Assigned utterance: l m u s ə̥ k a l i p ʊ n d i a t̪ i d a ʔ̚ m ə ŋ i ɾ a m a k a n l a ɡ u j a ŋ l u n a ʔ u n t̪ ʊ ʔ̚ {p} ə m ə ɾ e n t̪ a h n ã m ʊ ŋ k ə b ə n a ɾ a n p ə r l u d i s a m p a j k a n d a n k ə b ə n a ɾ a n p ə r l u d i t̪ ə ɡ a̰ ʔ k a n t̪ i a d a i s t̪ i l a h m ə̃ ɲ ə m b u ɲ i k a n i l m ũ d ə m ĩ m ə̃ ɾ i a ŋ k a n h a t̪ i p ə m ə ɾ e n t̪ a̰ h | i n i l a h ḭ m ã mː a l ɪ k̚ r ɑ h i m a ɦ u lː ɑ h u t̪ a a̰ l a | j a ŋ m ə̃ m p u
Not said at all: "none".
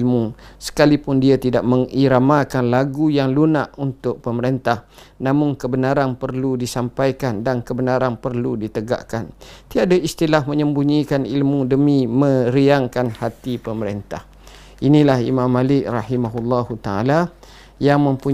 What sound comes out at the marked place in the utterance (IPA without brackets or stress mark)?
p